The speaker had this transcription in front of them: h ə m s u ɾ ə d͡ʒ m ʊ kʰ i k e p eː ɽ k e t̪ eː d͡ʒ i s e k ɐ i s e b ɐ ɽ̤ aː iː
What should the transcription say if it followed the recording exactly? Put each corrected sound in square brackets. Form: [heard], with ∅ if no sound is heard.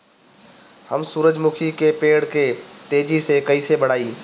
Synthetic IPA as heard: h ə m s [uː] ɾ ə d͡ʒ m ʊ kʰ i k e p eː ɽ k e t̪ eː d͡ʒ i s e k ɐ i s e b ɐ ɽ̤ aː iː